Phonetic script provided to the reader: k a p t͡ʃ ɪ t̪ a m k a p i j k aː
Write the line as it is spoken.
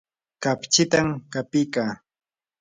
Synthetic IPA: k a p t͡ʃ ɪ t̪ a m k a p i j k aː